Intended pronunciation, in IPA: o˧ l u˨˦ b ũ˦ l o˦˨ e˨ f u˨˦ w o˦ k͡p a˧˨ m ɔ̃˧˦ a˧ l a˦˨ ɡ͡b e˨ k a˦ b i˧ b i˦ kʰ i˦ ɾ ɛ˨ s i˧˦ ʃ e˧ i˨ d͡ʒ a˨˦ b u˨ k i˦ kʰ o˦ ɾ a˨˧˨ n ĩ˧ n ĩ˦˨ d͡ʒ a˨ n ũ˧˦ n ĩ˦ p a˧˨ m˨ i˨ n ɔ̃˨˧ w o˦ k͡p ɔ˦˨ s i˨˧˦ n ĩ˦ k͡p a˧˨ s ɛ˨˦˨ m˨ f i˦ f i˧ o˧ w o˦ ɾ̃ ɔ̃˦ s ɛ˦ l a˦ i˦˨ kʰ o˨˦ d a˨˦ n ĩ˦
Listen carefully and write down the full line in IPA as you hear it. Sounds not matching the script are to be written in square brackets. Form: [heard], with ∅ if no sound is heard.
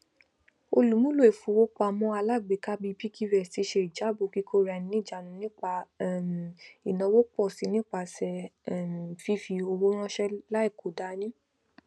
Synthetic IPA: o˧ l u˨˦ [m] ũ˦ l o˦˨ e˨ f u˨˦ w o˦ k͡p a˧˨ m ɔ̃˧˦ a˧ l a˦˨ ɡ͡b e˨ k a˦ b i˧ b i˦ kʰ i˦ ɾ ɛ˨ s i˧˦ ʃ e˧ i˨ d͡ʒ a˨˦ b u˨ k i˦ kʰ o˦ ɾ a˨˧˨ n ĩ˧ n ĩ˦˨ d͡ʒ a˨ n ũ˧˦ n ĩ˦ [k͡p] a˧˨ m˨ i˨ n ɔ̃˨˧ w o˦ k͡p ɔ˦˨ s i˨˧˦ n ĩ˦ k͡p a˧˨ s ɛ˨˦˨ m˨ f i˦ f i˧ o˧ w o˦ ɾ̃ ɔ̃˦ [ʃ] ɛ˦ l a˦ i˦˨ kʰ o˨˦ d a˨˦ n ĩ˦